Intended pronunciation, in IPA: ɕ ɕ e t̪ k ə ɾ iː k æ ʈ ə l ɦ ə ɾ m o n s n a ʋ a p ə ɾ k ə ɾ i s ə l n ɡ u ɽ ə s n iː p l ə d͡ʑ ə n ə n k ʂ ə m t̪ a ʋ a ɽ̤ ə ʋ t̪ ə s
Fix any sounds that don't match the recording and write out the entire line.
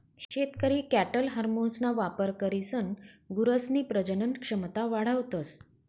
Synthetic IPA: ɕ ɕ e t̪ k ə ɾ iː k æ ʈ ə l ɦ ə ɾ m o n s n a ʋ a p ə ɾ k ə ɾ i s ə n ɡ u ɾ ə s n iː p ɾ ə d͡ʑ ə n ə n k ʂ ə m t̪ a ʋ a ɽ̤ ə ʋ t̪ ə s